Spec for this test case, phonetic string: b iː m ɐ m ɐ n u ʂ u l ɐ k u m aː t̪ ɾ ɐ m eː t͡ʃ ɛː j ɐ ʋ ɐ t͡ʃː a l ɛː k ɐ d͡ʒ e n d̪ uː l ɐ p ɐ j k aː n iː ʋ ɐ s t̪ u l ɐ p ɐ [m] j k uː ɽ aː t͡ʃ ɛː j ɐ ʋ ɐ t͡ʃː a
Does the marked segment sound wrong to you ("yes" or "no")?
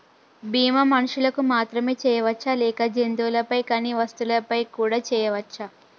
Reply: yes